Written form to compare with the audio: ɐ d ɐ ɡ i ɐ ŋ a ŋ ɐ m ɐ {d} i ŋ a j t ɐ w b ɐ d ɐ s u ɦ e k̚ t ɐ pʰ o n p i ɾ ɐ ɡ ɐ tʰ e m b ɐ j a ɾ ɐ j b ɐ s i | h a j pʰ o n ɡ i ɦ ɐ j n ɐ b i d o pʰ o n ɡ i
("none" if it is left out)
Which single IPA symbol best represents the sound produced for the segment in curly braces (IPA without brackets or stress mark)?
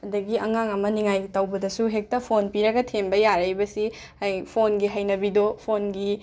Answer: n